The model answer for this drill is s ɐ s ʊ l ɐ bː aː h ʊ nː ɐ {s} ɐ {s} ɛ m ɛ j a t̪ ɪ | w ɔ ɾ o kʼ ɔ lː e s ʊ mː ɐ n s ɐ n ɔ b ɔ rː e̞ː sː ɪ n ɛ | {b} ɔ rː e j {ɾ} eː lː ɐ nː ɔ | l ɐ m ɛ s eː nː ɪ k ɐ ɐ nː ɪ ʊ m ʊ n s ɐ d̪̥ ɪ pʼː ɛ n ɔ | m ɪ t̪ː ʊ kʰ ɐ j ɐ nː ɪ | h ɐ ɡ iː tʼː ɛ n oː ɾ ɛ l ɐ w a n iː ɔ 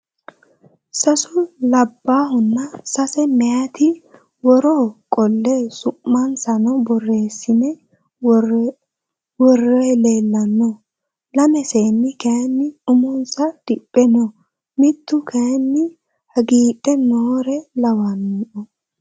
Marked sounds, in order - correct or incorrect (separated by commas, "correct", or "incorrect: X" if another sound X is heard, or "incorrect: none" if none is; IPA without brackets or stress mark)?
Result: correct, correct, incorrect: w, incorrect: l